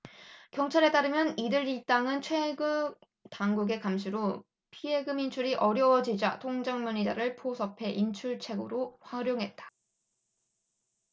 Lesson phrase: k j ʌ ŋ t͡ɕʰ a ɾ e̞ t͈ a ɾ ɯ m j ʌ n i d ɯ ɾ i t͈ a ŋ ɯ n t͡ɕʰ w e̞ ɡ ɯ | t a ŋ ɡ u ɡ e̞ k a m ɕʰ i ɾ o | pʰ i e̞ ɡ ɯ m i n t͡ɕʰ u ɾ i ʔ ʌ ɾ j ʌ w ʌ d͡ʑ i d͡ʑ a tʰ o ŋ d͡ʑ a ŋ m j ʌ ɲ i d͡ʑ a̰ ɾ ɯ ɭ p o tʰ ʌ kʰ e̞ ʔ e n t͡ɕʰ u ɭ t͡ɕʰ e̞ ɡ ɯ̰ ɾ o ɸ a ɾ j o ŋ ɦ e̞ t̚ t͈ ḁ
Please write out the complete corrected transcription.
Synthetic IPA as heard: k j ʌ ŋ t͡ɕʰ a ɾ e̞ t͈ a ɾ ɯ m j ʌ n i d ɯ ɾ i t͈ a ŋ ɯ n t͡ɕʰ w e̞ ɡ ɯ | t a ŋ ɡ u ɡ e̞ k a m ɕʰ i ɾ o | pʰ i e̞ ɡ ɯ m i n t͡ɕʰ u ɾ i ʔ ʌ ɾ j ʌ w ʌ d͡ʑ i d͡ʑ a tʰ o ŋ d͡ʑ a ŋ m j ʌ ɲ i d͡ʑ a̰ ɾ ɯ ɭ pʰ o sʰ ʌ pʰ e̞ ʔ i n t͡ɕʰ u ɭ t͡ɕʰ e̞ ɡ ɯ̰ ɾ o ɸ a ɾ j o ŋ ɦ e̞ t̚ t͈ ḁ